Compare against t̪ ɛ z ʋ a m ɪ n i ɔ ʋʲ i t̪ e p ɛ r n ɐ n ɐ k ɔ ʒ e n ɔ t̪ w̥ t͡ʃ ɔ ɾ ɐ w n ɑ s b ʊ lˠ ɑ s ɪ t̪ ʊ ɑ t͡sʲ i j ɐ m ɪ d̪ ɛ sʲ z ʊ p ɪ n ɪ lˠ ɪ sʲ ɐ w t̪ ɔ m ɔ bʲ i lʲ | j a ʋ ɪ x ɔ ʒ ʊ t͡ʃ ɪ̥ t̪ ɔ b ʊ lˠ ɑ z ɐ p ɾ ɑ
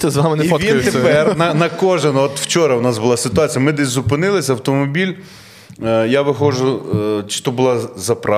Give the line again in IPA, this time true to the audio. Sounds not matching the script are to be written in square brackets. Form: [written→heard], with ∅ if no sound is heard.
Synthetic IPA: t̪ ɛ z ʋ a m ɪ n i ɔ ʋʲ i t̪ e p ɛ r n ɐ n ɐ k ɔ ʒ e n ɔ t̪ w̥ t͡ʃ ɔ ɾ ɐ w n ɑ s b ʊ lˠ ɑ s ɪ t̪ ʊ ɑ t͡sʲ i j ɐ m ɪ d̪ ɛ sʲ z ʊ p ɪ n ɪ lˠ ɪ sʲ ɐ w t̪ ɔ m ɔ bʲ i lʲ | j a ʋ ɪ x ɔ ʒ ʊ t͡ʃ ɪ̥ t̪ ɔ b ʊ lˠ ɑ z ɐ p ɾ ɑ